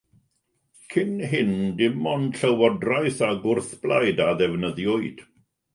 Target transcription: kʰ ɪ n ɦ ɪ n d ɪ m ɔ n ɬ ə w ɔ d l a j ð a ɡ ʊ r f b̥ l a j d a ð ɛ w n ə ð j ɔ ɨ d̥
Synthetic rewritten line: kʰ ɪ n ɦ ɪ n d ɪ m ɔ n ɬ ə w ɔ d r a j θ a ɡ ʊ r θ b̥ l a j d a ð ɛ v n ə ð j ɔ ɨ d̥